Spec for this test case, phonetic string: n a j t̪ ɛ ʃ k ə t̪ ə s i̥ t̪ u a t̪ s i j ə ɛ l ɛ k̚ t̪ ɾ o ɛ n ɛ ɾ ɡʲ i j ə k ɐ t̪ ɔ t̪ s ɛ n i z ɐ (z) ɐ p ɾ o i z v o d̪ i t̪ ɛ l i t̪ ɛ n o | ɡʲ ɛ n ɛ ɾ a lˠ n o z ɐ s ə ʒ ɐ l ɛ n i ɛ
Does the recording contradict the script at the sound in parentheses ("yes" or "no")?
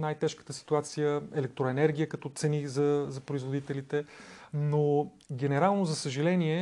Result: no